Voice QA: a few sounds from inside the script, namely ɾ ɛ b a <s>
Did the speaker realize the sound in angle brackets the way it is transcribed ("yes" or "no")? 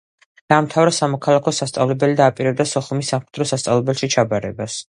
yes